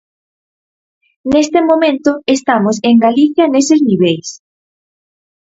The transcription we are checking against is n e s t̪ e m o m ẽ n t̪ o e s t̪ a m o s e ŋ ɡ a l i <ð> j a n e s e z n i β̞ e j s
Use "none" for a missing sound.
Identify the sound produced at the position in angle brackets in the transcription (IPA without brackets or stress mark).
θ